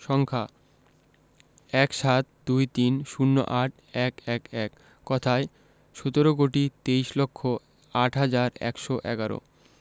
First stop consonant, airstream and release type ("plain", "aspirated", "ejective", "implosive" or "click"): aspirated